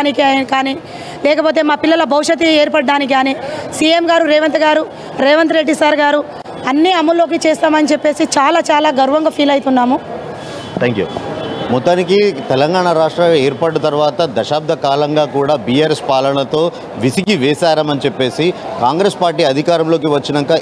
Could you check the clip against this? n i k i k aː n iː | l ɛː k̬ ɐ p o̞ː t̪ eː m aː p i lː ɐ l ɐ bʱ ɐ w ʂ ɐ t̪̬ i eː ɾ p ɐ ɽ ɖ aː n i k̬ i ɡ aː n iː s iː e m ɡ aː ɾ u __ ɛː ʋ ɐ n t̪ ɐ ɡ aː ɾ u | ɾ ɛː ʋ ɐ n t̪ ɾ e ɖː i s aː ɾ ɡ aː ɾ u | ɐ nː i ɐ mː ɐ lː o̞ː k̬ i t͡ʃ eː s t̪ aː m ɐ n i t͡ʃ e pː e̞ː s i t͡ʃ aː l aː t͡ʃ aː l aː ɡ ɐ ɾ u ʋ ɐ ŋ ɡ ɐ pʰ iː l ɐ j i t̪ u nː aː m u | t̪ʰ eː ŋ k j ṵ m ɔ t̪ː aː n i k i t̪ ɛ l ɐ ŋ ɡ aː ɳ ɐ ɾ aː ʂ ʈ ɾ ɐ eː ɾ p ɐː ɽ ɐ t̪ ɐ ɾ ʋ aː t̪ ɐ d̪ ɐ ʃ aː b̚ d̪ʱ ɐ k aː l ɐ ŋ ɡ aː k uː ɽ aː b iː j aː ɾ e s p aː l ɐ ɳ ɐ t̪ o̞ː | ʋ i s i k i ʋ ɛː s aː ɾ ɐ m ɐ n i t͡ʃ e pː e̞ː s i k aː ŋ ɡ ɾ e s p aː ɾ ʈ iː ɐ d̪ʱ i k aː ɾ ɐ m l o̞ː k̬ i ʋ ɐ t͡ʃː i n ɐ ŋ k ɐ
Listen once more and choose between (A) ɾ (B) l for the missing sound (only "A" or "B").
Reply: A